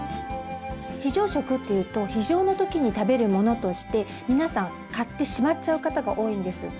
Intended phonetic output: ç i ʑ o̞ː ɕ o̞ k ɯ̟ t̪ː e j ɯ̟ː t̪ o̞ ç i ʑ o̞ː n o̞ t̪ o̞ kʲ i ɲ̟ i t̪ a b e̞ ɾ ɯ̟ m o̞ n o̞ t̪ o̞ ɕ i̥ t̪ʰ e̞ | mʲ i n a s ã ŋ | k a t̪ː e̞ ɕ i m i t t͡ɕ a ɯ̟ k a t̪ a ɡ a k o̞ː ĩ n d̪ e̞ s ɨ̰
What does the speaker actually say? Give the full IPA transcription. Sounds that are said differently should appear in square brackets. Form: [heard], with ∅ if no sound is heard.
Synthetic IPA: ç i ʑ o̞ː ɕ o̞ k ɯ̟ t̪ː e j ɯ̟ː t̪ o̞ ç i ʑ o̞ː n o̞ t̪ o̞ kʲ i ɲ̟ i t̪ a b e̞ ɾ ɯ̟ m o̞ n o̞ t̪ o̞ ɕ i̥ [t̪] e̞ | mʲ i n a s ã ŋ | k a t̪ː e̞ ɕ i m [a] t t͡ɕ a ɯ̟ k a t̪ a ɡ a [ʔ] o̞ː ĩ n d̪ e̞ s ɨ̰